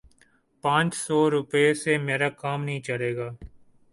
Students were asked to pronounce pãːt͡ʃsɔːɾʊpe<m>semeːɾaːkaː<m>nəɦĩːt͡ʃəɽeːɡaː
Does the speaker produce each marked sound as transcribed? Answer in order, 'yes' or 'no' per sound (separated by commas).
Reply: no, yes